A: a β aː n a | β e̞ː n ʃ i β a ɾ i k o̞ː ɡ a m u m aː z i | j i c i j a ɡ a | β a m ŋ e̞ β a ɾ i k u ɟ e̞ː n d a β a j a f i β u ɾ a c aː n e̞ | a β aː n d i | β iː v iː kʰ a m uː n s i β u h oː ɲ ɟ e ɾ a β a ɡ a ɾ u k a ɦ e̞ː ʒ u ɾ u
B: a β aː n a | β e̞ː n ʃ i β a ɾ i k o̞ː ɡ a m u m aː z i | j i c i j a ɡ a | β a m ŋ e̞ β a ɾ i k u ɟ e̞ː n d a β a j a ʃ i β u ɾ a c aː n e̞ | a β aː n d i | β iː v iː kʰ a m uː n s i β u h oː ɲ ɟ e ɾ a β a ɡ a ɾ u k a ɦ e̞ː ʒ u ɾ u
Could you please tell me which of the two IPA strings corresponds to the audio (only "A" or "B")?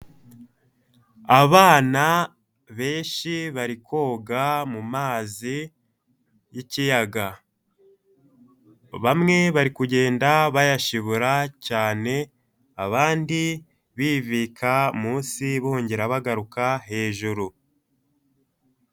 B